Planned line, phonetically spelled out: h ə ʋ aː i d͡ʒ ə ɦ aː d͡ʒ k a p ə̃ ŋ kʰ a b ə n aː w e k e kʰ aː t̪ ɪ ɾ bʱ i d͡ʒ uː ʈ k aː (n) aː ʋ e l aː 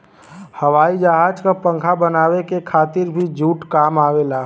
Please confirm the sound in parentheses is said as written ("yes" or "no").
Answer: no